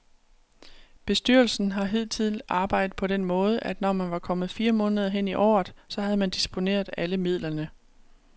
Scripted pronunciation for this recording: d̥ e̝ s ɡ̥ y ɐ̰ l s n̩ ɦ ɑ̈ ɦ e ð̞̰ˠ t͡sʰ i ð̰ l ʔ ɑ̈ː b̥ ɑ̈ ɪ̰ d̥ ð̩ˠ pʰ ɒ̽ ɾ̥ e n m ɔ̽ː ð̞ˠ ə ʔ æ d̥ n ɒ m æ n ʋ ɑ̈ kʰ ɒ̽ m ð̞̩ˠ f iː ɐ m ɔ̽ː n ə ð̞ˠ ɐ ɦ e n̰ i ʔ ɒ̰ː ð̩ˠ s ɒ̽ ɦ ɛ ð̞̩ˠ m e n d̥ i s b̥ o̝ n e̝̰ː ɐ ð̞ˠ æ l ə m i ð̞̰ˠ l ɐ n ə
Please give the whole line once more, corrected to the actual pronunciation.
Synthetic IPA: b̥ e̝ s d̥ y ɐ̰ l s n̩ ɦ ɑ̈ ɦ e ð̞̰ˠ t͡sʰ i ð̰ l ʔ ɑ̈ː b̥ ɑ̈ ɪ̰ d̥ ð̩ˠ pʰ ɒ̽ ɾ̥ e n m ɔ̽ː ð̞ˠ ə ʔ æ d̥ n ɒ m æ n ʋ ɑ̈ kʰ ɒ̽ m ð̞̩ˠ f iː ɐ m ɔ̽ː n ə ð̞ˠ ɐ ɦ e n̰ i ʔ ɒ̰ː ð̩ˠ s ɒ̽ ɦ æ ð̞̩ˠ m æ n d̥ i s b̥ o̝ n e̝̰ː ɐ ð̞ˠ æ l ə m i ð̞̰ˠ l ɐ n ə